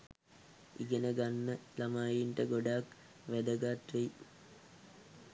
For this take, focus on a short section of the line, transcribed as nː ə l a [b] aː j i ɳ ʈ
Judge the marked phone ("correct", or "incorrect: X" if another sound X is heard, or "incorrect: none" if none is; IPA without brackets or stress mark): incorrect: m